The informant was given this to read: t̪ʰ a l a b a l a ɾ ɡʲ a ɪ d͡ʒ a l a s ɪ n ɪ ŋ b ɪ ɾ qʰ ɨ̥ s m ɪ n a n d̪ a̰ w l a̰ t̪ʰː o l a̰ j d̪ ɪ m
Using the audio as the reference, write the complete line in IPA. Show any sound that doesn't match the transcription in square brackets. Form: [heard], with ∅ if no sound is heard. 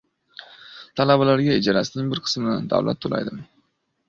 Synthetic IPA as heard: t̪ʰ a l a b a l a ɾ ɡʲ a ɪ d͡ʒ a [ɾ] a s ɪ n ɪ ŋ b ɪ ɾ qʰ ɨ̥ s m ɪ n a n d̪ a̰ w l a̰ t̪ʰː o l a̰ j d̪ ɪ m